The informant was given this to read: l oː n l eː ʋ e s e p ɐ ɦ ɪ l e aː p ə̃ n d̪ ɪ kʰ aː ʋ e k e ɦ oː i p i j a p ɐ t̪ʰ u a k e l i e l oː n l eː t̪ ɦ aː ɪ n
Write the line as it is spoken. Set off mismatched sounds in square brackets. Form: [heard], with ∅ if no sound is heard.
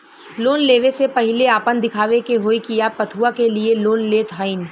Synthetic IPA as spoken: l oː n l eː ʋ e s e p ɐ ɦ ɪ l e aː p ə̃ n d̪ ɪ kʰ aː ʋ e k e ɦ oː i [k] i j a p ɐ t̪ʰ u a k e l i e l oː n l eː t̪ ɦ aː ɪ n